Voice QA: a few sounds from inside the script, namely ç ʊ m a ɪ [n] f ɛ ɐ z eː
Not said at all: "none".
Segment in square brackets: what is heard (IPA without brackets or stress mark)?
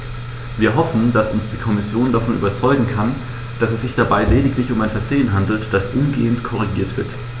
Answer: n